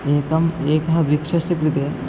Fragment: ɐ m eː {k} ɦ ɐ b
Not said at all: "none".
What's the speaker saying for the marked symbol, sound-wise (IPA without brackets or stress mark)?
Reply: k